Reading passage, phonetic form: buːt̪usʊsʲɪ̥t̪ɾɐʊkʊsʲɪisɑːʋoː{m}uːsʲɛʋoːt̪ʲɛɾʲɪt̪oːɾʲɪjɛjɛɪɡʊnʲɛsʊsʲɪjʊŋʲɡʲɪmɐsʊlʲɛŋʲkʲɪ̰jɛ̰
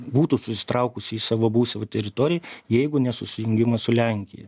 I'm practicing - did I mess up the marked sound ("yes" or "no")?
yes